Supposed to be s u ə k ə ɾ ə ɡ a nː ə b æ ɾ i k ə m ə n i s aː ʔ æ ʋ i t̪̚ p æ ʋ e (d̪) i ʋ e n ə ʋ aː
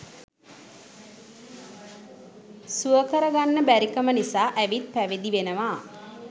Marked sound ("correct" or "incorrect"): correct